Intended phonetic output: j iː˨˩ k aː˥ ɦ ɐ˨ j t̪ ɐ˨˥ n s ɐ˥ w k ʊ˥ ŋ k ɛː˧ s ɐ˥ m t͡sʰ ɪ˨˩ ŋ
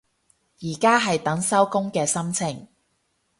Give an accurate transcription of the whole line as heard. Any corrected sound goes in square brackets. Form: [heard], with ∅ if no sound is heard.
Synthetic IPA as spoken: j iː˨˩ k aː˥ ɦ ɐ˨ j t̪ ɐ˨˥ [ŋ] s ɐ˥ w k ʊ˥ ŋ k ɛː˧ s ɐ˥ m t͡sʰ ɪ˨˩ ŋ